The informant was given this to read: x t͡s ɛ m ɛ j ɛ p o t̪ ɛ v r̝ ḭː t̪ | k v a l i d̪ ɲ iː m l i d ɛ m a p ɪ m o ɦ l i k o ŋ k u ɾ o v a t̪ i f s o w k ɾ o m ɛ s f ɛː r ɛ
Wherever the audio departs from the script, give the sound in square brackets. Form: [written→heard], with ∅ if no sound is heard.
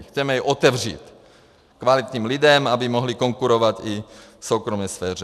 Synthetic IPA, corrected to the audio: x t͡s ɛ m ɛ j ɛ [p→ʔ] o t̪ ɛ v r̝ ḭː t̪ | k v a l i [d̪→t̪] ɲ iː m l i d ɛ m a [p→b] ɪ m o ɦ l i k o ŋ k u ɾ o v a t̪ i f s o w k ɾ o m ɛ s f ɛː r ɛ